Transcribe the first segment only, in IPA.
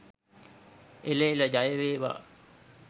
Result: e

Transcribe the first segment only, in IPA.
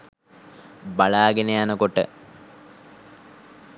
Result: b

